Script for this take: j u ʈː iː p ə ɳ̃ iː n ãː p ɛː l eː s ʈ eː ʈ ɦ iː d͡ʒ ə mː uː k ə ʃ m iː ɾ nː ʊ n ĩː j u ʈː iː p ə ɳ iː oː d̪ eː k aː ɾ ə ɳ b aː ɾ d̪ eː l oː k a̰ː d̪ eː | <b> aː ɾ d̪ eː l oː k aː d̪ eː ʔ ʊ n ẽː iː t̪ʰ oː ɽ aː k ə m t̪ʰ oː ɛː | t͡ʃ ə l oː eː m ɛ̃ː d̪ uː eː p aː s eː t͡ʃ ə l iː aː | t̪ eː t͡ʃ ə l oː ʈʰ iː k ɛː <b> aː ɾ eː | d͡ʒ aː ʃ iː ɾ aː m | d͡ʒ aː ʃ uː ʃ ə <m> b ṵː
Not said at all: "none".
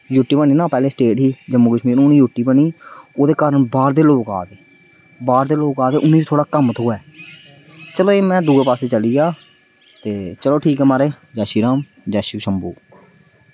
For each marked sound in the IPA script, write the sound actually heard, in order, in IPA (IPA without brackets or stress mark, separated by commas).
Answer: b, m, m